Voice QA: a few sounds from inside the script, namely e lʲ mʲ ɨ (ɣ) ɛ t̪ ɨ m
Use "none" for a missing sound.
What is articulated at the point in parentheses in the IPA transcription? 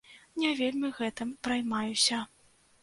ɣ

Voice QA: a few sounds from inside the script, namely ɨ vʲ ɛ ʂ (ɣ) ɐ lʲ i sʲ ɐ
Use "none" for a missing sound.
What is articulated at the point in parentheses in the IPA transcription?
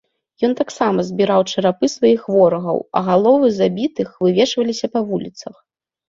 v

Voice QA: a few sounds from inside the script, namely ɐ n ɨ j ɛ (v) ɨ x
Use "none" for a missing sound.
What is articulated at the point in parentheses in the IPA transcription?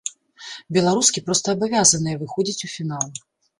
v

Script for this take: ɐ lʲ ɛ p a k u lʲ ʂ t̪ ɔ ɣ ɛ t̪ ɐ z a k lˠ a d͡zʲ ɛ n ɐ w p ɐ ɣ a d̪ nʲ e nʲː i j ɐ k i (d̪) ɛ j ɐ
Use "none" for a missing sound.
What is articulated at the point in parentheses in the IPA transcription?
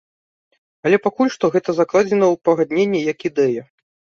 d̪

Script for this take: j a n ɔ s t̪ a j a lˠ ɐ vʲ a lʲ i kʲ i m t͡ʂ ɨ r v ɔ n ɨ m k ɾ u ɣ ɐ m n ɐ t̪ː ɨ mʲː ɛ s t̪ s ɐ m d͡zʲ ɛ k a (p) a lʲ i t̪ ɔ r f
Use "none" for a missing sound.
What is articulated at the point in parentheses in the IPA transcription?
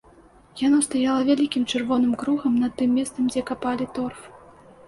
p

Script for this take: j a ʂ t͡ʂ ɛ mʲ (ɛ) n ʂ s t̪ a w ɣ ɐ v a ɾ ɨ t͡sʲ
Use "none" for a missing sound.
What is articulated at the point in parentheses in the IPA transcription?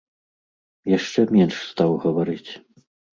ɛ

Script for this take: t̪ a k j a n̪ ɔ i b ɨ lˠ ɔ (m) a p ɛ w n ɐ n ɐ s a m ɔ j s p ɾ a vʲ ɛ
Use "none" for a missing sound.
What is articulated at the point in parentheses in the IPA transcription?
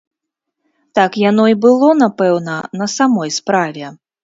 n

